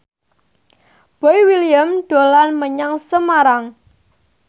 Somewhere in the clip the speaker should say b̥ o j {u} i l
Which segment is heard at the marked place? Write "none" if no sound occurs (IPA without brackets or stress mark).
w